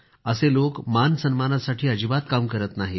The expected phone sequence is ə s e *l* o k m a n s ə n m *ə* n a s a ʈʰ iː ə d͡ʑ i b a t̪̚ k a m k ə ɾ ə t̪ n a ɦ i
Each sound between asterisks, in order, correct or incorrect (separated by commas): correct, incorrect